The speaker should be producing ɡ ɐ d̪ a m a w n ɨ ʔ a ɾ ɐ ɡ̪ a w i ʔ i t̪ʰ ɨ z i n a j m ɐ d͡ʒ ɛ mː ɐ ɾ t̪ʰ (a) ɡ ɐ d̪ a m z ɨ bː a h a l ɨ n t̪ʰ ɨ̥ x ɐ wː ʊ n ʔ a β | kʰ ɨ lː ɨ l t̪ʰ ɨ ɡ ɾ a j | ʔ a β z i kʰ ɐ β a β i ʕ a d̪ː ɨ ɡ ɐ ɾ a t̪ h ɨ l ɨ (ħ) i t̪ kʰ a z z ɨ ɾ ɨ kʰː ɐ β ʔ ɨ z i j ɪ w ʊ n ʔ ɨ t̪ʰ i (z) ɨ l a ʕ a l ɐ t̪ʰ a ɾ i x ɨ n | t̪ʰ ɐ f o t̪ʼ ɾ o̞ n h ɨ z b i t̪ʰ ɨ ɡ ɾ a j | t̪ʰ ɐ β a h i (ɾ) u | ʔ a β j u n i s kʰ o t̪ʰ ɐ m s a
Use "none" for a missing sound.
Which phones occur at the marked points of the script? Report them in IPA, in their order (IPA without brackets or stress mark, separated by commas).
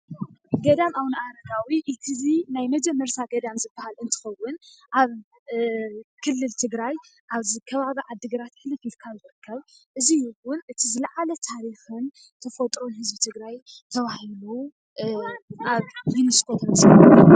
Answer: a, f, z, l